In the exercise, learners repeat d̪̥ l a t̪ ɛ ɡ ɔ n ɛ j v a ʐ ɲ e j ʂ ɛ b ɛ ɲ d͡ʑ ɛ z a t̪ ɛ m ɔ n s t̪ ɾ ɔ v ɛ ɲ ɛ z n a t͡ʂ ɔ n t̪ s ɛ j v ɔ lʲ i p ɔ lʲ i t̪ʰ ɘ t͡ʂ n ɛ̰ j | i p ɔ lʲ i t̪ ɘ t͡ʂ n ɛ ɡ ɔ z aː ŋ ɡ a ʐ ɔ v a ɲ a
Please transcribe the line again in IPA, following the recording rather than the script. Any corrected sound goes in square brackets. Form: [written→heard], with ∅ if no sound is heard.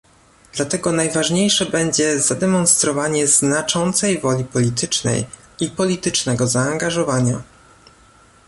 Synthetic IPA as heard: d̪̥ l a t̪ ɛ ɡ ɔ n [ɛ→a] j v a ʐ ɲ e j ʂ ɛ b ɛ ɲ d͡ʑ ɛ z a [t̪→d̪] ɛ m ɔ n s t̪ ɾ ɔ v [ɛ→a] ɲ ɛ z n a t͡ʂ ɔ n t̪ s ɛ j v ɔ lʲ i p ɔ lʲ i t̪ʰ ɘ t͡ʂ n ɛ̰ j | i p ɔ lʲ i t̪ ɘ t͡ʂ n ɛ ɡ ɔ z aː ŋ ɡ a ʐ ɔ v a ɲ a